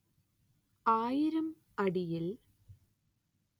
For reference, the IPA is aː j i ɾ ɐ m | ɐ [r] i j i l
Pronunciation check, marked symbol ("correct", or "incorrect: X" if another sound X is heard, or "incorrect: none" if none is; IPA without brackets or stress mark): incorrect: ɽ